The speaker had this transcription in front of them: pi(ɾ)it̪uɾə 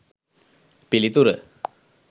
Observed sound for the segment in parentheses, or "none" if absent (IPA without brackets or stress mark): l